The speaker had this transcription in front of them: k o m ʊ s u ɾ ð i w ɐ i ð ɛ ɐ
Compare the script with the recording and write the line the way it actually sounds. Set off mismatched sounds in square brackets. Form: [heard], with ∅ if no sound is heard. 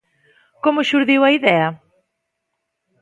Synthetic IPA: k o m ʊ [ʃ] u ɾ ð i w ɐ i ð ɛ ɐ